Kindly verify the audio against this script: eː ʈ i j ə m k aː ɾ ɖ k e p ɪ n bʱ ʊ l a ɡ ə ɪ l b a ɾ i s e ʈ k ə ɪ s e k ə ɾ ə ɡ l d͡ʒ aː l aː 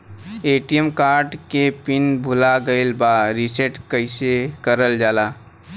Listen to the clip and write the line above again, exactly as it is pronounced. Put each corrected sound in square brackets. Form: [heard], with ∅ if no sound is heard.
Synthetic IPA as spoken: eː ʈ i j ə m k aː ɾ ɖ k e p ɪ n bʱ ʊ l a ɡ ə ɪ l b a ɾ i s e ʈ k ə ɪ s e k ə ɾ ə [∅] l d͡ʒ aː l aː